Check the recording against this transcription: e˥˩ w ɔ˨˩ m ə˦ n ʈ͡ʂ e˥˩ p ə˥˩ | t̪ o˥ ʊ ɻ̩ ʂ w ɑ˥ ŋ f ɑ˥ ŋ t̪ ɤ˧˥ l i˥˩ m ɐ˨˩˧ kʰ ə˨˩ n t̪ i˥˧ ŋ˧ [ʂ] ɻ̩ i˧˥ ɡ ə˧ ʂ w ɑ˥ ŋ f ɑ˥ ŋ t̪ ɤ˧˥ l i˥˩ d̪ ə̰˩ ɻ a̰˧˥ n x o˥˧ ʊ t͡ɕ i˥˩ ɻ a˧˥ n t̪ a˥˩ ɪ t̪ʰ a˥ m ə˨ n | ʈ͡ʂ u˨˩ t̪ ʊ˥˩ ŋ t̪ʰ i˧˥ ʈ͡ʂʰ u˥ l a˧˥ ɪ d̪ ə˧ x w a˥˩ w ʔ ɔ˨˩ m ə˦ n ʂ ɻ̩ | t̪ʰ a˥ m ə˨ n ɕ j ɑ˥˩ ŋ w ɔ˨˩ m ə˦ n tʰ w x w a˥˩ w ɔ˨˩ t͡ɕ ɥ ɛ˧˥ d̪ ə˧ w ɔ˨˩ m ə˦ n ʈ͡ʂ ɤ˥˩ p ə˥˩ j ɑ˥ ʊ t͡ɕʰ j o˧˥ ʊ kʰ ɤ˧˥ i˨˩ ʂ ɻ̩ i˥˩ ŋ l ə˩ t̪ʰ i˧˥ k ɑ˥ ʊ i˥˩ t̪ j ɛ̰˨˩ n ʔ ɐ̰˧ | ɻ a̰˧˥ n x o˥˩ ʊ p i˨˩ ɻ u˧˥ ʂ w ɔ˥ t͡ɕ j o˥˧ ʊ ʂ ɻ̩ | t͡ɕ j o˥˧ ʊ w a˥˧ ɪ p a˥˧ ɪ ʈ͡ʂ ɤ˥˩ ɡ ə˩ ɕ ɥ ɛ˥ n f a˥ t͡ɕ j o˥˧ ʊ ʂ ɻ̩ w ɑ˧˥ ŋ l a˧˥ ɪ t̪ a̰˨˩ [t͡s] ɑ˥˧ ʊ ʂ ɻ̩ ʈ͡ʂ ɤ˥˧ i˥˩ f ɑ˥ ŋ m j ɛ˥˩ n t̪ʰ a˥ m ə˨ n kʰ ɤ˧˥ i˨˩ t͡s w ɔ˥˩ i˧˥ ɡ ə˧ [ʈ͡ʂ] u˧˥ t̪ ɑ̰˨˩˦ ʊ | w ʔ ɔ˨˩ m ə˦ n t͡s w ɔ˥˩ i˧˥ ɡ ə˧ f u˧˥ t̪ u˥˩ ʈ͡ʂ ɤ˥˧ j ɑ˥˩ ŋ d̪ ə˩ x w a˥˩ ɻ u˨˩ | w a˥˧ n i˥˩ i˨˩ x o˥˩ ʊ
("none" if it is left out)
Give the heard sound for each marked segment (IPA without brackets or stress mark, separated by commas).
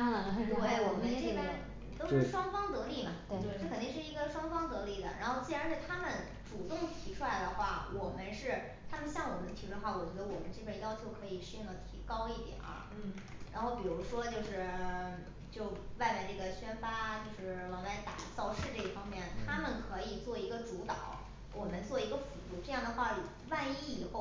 ʂ, t͡s, ʈ͡ʂ